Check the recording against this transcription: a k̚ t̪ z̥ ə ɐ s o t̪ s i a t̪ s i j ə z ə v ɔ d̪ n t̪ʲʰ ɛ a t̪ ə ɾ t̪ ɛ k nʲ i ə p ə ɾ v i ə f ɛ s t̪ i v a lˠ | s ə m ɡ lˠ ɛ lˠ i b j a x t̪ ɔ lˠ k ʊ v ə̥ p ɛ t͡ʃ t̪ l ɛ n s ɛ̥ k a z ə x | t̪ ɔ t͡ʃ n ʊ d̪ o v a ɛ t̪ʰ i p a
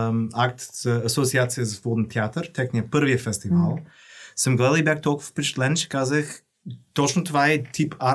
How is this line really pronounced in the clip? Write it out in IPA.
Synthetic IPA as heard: a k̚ t̪ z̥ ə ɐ s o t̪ s i a t̪ s i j ə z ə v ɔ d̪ n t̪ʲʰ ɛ a t̪ ə ɾ t̪ ɛ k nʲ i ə p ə ɾ v i ə f ɛ s t̪ i v a lˠ | s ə m ɡ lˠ ɛ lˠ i b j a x t̪ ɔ lˠ k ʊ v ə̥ p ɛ t͡ʃ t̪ l ɛ n ʃ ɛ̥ k a z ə x | t̪ ɔ t͡ʃ n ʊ t̪ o v a ɛ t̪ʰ i p a